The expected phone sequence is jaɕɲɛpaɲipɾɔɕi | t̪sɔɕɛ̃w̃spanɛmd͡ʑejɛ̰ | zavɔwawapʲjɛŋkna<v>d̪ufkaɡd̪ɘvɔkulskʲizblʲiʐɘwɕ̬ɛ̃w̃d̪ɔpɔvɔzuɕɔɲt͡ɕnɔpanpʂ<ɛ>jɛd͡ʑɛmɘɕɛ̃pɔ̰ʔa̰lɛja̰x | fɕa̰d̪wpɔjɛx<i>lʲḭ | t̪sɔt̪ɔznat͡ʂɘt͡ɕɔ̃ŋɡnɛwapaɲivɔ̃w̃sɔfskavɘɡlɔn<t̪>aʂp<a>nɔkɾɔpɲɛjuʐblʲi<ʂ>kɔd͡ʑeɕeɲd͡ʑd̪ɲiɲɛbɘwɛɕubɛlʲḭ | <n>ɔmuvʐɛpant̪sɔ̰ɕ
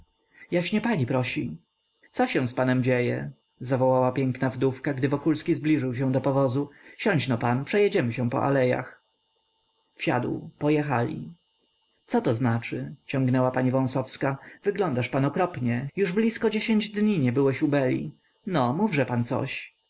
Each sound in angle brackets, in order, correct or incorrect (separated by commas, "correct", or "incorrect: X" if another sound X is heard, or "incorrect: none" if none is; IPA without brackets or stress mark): correct, correct, incorrect: a, incorrect: d̪, correct, incorrect: s, correct